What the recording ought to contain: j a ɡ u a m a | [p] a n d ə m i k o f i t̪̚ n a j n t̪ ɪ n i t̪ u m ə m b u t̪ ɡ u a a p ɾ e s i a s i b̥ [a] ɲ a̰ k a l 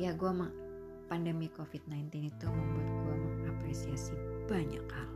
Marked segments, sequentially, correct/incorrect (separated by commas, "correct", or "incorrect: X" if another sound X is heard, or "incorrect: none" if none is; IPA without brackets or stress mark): correct, correct